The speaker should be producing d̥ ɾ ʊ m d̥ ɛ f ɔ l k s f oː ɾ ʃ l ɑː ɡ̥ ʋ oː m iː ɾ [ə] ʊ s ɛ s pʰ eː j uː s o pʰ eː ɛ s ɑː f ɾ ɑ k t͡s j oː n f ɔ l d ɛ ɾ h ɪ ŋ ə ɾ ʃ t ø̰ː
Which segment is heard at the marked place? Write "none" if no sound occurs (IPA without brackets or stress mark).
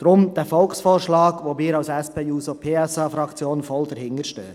ɑ